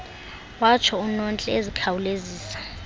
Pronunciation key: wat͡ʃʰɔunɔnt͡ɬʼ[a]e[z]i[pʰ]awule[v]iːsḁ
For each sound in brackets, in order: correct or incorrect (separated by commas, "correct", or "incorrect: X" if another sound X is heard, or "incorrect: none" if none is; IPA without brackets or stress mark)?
incorrect: ɛ, correct, incorrect: kʰ, incorrect: z